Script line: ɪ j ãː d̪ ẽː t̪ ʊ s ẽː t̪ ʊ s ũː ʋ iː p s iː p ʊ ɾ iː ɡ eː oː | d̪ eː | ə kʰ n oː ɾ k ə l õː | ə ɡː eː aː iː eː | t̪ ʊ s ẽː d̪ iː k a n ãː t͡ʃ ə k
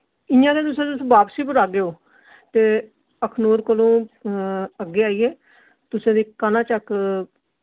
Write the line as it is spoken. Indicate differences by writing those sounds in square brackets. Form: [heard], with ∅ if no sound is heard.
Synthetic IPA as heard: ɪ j ãː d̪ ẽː t̪ ʊ s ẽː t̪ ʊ s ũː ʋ [aː] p s iː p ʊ ɾ [aː] ɡ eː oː | [t̪] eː | ə kʰ n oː ɾ k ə l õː | ə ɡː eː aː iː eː | t̪ ʊ s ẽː d̪ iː k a n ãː t͡ʃ ə k